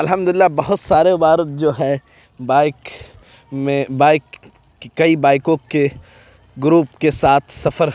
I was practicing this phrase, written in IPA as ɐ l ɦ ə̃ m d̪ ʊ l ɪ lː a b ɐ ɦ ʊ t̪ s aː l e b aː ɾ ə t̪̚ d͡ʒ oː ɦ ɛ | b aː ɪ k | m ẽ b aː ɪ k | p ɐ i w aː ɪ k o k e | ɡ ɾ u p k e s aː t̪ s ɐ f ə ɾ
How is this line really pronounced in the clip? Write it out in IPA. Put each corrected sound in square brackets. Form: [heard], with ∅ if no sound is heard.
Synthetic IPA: ɐ l ɦ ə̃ m d̪ ʊ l ɪ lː a b ɐ ɦ ʊ t̪ s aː [ɾ] e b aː ɾ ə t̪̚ d͡ʒ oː ɦ ɛ | b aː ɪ k | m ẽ b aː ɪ k | [k] ɐ i [b] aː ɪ k [õ] k e | ɡ ɾ [uː] p k e s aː [t̪ʰ] s ɐ f ə ɾ